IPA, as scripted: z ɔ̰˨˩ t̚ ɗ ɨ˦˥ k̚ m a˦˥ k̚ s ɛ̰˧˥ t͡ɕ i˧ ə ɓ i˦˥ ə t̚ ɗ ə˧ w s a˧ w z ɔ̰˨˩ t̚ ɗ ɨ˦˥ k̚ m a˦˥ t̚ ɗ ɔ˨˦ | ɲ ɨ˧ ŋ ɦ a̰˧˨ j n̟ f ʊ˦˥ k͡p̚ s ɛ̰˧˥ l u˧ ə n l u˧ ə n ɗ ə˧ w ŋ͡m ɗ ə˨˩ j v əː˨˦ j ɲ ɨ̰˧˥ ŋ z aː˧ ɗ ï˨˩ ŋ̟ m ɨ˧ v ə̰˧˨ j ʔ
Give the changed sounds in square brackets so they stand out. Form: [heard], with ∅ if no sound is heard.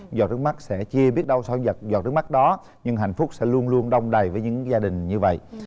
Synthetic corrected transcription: z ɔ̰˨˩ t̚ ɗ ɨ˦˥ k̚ m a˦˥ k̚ s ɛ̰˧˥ t͡ɕ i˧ ə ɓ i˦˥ ə t̚ ɗ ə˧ w s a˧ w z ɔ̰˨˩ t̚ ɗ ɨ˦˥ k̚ m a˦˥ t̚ ɗ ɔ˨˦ | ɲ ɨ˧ ŋ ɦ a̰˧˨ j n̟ f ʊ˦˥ k͡p̚ s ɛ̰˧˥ l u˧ ə n l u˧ ə n ɗ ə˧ w ŋ͡m ɗ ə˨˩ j v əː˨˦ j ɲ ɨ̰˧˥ ŋ z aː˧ ɗ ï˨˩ ŋ̟ [ɲ] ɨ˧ v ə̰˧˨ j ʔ